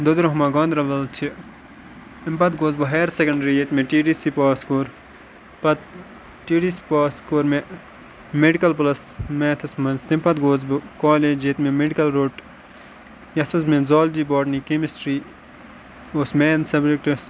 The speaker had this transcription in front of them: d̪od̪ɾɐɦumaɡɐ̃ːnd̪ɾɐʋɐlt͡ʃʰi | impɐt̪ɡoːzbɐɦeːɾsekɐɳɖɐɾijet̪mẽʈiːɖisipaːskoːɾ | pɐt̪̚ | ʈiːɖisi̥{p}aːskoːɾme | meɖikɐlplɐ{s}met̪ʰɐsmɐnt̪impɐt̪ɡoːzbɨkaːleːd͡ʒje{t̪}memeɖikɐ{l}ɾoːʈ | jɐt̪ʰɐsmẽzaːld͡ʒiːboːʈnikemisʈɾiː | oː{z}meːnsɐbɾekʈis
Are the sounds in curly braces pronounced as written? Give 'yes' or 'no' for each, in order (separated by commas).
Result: yes, yes, yes, yes, no